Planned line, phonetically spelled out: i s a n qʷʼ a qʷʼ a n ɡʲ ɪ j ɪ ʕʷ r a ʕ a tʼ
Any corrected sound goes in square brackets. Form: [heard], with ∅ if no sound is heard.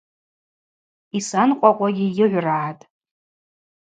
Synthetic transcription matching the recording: i s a n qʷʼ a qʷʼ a [∅] ɡʲ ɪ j ɪ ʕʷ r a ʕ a tʼ